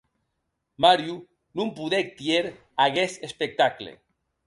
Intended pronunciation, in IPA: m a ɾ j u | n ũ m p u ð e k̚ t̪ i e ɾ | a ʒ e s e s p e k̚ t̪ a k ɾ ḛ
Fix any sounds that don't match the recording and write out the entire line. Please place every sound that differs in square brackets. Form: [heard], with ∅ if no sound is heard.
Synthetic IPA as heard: m a ɾ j u | n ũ m p u ð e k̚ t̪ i e ɾ | a [ɣ] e s e s p e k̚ t̪ a k [l] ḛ